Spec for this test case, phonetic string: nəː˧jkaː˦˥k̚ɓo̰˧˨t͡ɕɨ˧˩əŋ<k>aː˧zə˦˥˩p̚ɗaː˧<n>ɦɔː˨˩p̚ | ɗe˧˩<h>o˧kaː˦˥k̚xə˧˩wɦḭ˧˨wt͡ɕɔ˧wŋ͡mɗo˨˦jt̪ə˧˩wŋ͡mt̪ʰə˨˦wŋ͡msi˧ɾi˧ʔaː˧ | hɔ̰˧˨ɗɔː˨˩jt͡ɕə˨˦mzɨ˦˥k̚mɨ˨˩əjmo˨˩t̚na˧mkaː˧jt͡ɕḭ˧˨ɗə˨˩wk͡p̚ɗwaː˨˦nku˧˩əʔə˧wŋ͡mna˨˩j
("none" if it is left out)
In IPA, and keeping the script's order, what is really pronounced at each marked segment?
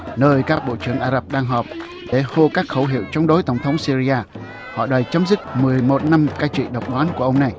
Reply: ʔ, ŋ, h

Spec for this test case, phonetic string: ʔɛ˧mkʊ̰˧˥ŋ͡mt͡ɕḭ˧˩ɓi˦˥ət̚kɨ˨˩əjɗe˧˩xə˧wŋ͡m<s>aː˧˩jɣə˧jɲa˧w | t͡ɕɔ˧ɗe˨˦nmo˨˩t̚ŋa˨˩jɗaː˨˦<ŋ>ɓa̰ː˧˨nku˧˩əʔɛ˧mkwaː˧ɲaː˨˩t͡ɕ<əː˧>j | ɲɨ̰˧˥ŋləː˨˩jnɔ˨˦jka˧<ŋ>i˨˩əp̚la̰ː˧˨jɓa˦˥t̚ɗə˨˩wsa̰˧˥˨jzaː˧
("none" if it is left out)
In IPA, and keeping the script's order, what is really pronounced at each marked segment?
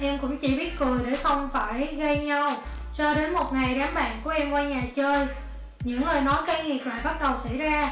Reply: f, m, əː˧, ŋ

